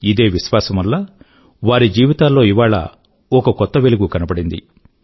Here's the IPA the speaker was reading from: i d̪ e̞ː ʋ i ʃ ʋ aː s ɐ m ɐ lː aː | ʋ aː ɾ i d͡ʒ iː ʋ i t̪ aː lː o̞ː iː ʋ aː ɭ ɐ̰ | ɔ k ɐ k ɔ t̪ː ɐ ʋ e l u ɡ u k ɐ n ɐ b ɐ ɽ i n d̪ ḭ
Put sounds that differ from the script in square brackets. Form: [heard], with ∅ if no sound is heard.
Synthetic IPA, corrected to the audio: i d̪ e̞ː ʋ i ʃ ʋ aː s ɐ m ɐ lː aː | ʋ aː ɾ i d͡ʒ iː ʋ i t̪ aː lː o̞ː [i] ʋ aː ɭ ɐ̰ | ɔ k ɐ k ɔ t̪ː ɐ ʋ e l u ɡ u k ɐ n ɐ b ɐ ɽ i n d̪ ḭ